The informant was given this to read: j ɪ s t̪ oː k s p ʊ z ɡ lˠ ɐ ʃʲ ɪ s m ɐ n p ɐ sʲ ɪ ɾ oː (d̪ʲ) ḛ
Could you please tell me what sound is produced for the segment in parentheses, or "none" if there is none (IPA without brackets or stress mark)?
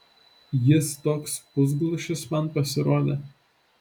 d̪ʲ